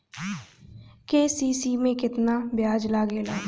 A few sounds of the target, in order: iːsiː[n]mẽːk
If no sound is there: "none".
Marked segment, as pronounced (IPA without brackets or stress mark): none